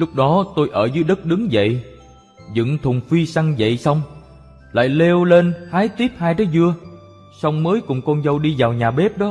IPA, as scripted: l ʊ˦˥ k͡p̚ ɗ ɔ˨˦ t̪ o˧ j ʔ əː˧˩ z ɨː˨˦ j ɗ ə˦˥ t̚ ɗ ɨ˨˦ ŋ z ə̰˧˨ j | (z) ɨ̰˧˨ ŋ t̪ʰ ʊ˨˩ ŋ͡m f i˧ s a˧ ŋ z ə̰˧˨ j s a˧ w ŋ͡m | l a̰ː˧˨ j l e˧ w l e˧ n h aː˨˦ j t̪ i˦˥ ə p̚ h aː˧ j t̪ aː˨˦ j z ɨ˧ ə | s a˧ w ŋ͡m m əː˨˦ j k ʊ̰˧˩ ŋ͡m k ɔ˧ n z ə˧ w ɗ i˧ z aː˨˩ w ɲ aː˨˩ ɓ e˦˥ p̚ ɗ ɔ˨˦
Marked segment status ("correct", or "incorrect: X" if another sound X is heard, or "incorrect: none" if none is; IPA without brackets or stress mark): correct